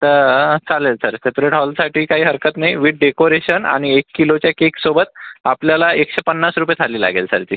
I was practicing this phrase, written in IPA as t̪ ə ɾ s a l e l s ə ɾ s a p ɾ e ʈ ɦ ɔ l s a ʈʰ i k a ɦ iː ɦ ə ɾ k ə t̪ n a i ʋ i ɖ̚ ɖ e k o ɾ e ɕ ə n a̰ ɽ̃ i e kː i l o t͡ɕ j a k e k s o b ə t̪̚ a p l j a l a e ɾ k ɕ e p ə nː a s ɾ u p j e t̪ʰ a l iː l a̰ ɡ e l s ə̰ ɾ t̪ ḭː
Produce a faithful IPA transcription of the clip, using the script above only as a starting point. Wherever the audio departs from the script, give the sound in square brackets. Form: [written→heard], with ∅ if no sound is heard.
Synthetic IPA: t̪ ə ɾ [s→t͡s] a l e l s ə ɾ s [a→e] p ɾ e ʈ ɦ ɔ l s a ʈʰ [i→iː] k a ɦ iː ɦ ə ɾ k ə t̪ n a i ʋ i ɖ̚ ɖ e k o ɾ e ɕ ə n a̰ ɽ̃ i e kː i l o t͡ɕ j a k e k s o b ə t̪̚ a p l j a l a e [ɾ→∅] k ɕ e p ə nː a s ɾ u p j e t̪ʰ a l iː l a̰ ɡ e l s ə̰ ɾ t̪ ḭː